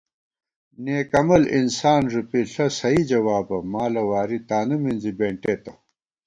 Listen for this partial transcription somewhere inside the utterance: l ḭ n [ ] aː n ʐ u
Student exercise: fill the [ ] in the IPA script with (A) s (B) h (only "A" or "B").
A